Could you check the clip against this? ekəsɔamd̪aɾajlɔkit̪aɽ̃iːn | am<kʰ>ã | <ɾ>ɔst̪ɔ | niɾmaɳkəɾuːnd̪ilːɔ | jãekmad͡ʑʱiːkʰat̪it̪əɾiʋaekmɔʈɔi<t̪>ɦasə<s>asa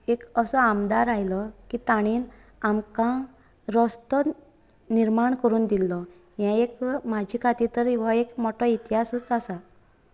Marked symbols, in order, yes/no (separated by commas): no, yes, yes, no